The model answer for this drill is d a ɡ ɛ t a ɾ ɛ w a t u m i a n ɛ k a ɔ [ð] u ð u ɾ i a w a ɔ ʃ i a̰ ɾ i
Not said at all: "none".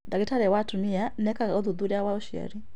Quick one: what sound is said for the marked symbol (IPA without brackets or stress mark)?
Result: ð